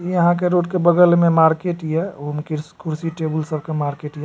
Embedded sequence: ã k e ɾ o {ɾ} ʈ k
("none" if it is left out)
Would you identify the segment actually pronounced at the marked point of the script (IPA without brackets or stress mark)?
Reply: none